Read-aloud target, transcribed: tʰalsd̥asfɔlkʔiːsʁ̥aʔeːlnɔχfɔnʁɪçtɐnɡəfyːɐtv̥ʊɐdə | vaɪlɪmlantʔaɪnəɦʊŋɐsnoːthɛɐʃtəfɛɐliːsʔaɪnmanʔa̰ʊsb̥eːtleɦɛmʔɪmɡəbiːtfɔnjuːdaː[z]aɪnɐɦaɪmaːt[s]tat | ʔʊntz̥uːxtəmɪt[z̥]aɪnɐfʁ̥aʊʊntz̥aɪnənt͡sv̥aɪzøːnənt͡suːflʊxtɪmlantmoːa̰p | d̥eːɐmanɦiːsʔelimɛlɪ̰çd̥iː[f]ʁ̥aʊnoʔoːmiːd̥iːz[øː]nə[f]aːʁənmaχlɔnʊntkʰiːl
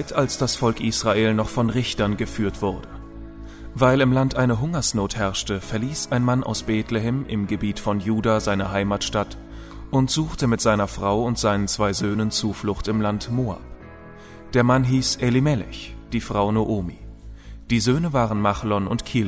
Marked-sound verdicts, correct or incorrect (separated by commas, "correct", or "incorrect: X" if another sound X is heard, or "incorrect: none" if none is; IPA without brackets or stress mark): correct, incorrect: ʃ, correct, correct, correct, incorrect: v